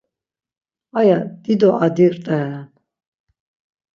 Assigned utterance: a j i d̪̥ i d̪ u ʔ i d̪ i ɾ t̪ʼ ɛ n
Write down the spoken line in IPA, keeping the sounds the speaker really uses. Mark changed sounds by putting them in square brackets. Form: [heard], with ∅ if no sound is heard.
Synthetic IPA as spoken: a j [a] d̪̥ i d̪ [ɔ] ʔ [a] d̪ i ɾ t̪ʼ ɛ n